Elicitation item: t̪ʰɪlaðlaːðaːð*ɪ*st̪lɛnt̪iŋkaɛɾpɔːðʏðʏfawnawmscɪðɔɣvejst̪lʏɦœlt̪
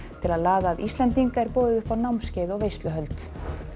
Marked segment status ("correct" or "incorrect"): incorrect